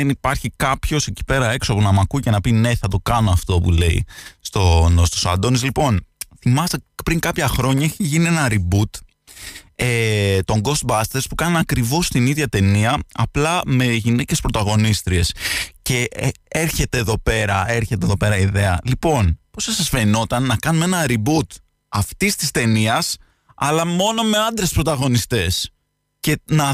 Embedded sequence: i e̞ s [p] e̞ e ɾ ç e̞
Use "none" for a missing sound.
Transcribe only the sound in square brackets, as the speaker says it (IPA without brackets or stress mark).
c